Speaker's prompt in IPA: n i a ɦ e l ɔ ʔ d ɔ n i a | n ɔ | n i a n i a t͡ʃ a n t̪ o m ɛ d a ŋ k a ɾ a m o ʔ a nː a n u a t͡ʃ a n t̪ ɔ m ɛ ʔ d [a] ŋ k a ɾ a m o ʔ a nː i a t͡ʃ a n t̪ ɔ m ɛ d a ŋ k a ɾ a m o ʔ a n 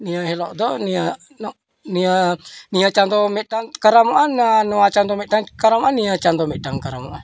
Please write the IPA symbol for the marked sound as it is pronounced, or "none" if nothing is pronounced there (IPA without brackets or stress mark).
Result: a